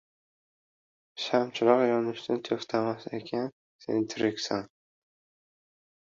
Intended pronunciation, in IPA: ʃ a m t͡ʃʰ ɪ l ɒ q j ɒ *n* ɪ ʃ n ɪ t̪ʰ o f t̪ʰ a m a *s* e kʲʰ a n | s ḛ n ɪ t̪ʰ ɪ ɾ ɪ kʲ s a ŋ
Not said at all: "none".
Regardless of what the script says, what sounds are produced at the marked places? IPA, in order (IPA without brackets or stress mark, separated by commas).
n, s